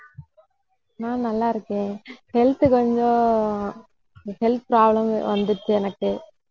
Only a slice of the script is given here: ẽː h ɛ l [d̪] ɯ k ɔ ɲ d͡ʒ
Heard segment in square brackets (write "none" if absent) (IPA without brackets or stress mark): t̪